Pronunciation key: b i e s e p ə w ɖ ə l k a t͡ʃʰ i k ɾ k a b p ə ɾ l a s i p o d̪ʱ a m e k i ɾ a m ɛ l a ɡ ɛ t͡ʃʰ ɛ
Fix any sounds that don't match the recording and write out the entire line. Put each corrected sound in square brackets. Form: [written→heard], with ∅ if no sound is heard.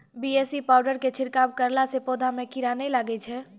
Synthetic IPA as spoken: b i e s [e→i] p [ə→a] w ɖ ə [l→ɾ] k [a→e] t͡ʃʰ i [k→∅] ɾ k a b [p→k] ə ɾ l a s [i→e] p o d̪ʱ a m e k i ɾ a [m→n] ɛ l a ɡ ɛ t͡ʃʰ ɛ